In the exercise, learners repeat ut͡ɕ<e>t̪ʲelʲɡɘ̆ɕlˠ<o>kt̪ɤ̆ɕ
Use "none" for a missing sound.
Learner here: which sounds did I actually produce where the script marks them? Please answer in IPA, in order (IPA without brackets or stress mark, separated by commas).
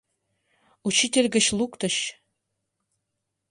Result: i, u